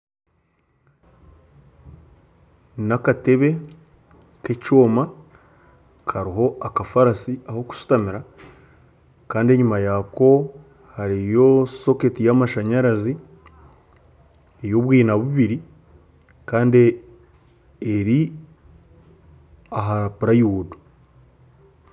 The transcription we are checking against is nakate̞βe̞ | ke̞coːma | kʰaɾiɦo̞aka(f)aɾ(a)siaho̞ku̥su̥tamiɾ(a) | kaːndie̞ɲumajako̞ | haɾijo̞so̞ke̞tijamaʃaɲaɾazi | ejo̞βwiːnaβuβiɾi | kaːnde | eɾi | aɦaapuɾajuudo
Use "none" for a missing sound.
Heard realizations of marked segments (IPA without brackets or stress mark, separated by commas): f, a, a